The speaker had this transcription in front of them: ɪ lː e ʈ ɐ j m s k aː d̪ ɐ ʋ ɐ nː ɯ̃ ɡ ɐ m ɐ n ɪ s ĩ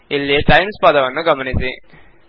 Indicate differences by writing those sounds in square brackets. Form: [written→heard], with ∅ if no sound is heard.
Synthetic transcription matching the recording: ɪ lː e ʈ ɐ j m s [k→p] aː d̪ ɐ ʋ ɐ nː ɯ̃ ɡ ɐ m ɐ n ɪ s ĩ